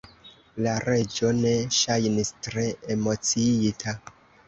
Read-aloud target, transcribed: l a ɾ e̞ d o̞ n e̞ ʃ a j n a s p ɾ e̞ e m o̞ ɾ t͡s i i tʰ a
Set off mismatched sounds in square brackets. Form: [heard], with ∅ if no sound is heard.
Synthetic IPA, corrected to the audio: l a ɾ e̞ [d͡ʒ] o̞ n e̞ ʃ a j n [i] s [t] ɾ e̞ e m o̞ [∅] t͡s i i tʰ a